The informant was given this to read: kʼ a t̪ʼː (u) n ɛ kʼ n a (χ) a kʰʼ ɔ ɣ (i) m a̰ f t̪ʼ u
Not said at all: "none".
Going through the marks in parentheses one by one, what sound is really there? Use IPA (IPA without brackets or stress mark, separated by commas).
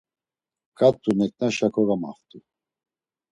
u, ʃ, a